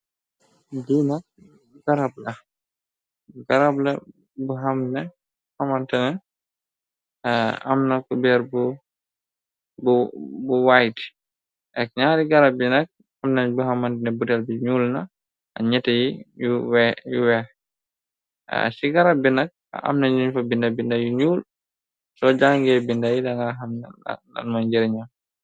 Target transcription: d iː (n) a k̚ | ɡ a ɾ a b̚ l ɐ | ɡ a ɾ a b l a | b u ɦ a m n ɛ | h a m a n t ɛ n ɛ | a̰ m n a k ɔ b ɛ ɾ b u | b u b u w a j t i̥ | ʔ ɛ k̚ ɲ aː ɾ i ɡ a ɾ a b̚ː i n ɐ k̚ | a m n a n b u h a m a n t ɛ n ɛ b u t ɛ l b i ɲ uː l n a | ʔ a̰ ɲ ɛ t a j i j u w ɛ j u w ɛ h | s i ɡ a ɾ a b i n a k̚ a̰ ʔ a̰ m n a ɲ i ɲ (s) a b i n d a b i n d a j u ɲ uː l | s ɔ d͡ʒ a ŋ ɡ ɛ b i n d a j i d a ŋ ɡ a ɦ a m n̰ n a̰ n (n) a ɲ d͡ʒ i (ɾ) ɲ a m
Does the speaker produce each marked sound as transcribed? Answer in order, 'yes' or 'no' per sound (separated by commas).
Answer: yes, no, no, yes